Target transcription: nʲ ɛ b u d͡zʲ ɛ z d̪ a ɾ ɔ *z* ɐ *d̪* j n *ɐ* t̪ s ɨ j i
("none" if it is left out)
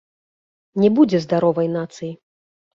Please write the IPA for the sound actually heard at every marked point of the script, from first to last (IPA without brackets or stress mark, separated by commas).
v, none, a